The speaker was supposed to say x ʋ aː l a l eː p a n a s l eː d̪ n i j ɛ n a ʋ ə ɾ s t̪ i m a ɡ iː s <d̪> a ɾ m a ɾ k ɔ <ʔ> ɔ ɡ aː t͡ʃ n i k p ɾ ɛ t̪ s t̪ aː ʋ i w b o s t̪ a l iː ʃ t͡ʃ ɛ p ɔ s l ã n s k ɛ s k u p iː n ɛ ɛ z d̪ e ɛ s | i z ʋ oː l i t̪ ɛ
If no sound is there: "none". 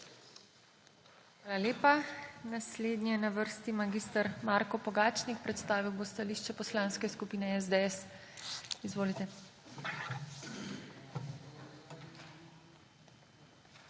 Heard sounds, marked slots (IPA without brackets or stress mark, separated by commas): t̪, p